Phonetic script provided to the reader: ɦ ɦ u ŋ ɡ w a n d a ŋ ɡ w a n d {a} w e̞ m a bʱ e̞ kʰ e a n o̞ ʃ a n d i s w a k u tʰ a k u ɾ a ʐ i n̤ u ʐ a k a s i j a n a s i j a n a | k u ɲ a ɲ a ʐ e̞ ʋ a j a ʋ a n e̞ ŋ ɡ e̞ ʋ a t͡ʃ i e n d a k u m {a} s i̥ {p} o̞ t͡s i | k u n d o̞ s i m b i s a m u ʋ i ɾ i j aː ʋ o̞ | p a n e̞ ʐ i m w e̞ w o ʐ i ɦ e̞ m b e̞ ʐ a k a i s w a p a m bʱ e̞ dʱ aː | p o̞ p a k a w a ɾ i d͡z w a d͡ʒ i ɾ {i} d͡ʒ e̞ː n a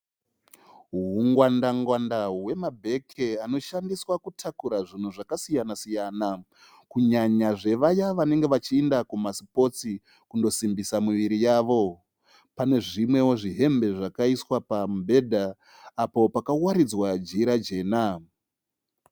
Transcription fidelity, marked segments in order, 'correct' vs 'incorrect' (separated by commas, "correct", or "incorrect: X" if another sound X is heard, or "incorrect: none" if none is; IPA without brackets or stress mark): correct, correct, correct, incorrect: a